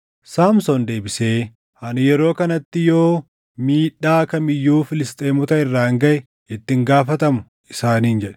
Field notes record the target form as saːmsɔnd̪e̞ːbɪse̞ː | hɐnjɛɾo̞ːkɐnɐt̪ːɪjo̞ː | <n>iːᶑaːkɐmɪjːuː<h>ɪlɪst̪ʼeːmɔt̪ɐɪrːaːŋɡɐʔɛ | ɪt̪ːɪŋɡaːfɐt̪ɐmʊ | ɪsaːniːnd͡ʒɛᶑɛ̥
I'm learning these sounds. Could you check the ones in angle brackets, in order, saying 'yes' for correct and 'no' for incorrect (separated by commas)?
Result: no, no